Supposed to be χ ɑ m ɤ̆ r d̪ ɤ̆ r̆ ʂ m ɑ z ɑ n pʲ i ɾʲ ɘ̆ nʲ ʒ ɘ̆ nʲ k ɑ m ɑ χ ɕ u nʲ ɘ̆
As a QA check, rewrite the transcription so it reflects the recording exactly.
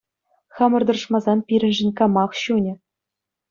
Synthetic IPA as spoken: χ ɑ m ɤ̆ r d̪ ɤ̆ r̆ ʂ m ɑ z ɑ n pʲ i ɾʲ ɘ̆ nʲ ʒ ɘ̆ nʲ k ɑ m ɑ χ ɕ u nʲ ɘ̆